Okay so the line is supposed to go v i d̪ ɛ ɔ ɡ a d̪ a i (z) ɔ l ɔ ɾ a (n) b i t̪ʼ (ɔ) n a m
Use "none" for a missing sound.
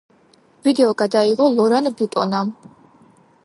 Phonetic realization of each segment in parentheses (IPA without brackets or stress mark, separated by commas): ʁ, n, ɔ